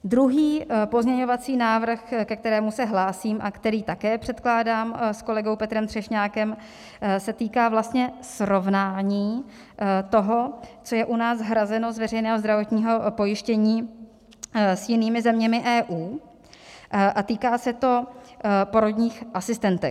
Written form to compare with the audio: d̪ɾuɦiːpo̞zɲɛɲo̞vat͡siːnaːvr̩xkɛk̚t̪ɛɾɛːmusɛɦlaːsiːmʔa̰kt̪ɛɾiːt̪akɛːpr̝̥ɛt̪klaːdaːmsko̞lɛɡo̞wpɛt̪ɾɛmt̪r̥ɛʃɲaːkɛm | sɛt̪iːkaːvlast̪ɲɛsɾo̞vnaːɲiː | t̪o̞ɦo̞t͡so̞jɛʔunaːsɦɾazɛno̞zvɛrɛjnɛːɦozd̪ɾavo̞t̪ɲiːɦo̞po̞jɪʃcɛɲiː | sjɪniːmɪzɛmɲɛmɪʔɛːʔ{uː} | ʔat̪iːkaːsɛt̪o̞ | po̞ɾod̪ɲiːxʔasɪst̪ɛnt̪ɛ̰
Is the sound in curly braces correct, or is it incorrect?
correct